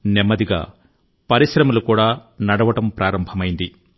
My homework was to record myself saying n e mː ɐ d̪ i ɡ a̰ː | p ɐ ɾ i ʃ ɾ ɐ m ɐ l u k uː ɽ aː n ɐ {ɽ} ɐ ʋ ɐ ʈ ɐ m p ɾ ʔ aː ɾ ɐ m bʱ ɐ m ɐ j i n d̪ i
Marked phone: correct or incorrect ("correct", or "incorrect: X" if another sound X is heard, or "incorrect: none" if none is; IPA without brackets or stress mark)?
correct